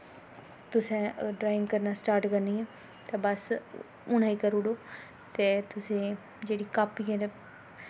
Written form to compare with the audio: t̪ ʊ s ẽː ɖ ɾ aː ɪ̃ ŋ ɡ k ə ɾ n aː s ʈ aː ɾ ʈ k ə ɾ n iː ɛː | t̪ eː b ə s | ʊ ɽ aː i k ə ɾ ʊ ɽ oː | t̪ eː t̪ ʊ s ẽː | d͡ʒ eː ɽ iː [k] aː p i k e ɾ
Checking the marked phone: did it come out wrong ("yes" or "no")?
no